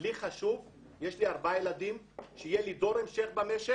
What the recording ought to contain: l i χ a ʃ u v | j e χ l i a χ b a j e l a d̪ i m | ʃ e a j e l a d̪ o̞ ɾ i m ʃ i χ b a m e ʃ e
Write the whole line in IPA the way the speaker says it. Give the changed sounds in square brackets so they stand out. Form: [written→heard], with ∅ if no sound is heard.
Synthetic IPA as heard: l i χ a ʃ u v | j e [χ→ʃ] l i a [χ→ʁ] b a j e l a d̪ i m | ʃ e [a→i] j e l [a→i] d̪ o̞ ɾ [i→e] m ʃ [i→e] χ b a m e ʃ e